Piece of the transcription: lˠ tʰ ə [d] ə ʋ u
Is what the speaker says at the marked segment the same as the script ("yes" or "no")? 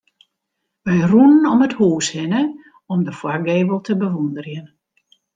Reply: no